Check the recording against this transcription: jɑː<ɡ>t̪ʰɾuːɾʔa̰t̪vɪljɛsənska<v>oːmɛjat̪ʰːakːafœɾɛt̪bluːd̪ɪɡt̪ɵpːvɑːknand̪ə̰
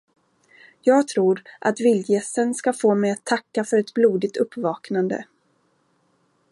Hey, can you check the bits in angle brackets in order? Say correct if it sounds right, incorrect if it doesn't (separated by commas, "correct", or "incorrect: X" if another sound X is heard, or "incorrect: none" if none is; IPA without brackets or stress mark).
correct, incorrect: f